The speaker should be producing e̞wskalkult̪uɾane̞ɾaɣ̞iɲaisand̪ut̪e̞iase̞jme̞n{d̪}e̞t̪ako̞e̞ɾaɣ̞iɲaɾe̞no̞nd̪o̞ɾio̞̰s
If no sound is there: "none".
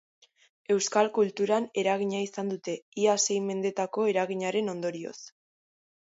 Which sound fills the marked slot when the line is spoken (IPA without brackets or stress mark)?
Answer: d̪